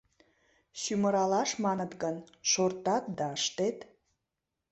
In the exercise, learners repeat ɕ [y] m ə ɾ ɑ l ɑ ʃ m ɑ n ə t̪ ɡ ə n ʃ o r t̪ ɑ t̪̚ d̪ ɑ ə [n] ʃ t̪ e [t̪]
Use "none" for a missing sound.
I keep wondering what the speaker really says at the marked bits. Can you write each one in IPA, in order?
y, none, t̪

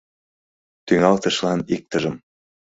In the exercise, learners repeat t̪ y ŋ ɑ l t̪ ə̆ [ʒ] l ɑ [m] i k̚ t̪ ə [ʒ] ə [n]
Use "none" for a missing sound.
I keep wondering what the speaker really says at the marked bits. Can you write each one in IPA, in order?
ʃ, n, ʒ, m

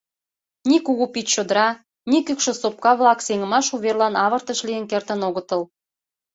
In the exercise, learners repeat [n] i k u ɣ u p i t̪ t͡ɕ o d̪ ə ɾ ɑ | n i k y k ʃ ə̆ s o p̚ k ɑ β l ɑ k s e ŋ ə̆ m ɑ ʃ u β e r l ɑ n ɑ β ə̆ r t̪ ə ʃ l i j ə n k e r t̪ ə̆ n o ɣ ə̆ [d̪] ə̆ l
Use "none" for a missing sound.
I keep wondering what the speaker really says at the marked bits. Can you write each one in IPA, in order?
n, t̪

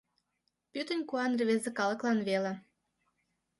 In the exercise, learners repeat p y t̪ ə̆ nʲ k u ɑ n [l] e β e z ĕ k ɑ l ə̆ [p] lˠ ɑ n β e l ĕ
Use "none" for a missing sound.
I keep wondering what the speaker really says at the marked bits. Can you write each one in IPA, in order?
r, k

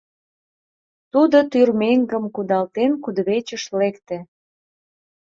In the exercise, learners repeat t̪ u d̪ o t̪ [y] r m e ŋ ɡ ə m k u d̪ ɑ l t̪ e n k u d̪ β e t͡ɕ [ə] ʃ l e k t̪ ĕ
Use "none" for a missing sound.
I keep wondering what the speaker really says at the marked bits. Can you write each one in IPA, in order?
y, ə

